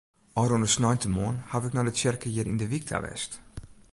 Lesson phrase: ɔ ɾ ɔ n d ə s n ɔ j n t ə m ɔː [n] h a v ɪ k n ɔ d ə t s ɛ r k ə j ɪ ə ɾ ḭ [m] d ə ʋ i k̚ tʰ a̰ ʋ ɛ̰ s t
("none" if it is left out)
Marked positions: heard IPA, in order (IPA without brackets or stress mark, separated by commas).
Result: n, n